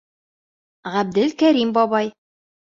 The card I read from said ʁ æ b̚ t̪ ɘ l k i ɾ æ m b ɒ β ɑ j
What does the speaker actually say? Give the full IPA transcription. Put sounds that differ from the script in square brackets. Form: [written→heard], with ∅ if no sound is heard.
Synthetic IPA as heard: ʁ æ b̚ [t̪→d̪] ɘ l k [i→æ] ɾ [æ→i] m b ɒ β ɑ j